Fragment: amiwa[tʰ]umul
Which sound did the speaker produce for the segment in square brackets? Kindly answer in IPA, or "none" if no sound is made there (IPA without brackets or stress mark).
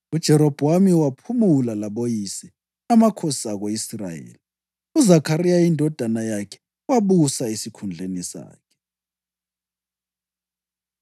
pʰ